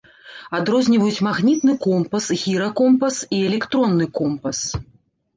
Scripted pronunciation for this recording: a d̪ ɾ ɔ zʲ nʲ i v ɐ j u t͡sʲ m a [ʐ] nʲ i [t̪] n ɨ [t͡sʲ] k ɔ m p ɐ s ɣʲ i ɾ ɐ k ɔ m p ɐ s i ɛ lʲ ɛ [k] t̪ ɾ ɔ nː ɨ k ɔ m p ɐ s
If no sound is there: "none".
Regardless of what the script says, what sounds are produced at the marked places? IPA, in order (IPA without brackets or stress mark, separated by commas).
ɣ, t̪, none, k